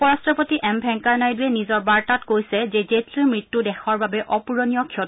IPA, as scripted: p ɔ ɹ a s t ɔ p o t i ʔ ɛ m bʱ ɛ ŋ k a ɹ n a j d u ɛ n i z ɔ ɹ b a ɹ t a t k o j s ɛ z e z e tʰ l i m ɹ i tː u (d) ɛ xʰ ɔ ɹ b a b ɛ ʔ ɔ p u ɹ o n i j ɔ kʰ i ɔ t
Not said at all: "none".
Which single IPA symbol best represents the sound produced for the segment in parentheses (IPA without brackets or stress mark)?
d